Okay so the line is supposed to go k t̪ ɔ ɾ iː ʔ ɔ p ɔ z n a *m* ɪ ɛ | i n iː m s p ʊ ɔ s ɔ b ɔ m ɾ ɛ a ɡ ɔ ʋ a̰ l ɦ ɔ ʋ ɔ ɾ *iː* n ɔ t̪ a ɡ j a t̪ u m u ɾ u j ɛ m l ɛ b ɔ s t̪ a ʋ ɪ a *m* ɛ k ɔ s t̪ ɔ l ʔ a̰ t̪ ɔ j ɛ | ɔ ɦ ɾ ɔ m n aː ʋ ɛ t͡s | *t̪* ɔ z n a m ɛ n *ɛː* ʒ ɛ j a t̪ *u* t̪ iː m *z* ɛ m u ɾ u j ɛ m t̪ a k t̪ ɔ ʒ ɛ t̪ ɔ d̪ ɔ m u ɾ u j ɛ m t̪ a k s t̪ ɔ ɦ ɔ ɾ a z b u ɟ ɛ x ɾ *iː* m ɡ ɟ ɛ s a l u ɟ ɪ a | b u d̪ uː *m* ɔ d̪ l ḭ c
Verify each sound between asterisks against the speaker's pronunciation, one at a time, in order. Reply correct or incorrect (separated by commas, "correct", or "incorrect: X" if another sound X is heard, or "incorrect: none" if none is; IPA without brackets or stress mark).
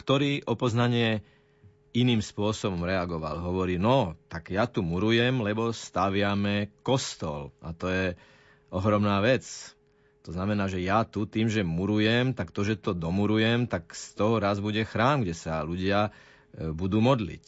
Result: incorrect: ɲ, correct, correct, correct, incorrect: aː, correct, incorrect: ʒ, incorrect: aː, correct